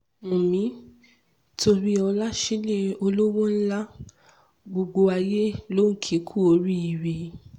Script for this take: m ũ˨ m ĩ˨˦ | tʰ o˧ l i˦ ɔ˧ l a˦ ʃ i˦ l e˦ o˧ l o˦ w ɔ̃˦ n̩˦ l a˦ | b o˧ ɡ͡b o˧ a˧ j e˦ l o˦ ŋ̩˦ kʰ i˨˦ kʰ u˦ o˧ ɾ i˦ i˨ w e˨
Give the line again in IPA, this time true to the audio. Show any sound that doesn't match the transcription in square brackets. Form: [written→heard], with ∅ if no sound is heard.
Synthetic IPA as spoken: m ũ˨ m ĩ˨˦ | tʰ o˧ [l→ɾ] i˦ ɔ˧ l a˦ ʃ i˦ l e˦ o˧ l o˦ w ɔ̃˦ n̩˦ l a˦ | [b→ɡ͡b] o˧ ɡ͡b o˧ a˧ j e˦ l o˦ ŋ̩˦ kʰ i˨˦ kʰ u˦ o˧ ɾ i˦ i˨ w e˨